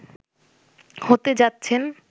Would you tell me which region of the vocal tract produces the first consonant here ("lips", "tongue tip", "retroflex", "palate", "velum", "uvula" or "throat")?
throat